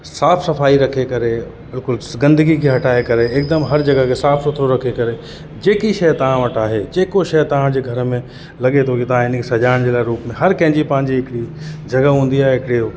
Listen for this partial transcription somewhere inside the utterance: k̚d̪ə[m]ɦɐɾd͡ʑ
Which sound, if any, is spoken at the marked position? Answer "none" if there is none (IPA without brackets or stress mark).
m